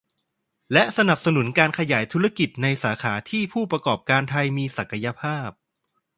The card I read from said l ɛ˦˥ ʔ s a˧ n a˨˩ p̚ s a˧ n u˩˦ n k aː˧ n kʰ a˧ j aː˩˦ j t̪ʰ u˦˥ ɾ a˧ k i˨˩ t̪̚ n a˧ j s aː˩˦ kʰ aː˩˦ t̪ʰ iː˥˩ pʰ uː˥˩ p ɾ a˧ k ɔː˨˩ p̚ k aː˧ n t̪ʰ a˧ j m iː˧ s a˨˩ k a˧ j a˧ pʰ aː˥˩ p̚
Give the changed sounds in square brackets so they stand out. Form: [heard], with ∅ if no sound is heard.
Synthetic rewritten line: l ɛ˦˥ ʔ s a˧ n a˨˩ p̚ s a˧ n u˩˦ n k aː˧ n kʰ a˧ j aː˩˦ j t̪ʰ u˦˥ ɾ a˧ k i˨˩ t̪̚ n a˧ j s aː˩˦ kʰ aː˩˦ t̪ʰ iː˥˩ pʰ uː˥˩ p ɾ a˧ k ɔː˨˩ p̚ k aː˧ n t̪ʰ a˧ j m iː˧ s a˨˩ k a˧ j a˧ pʰ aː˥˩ p̚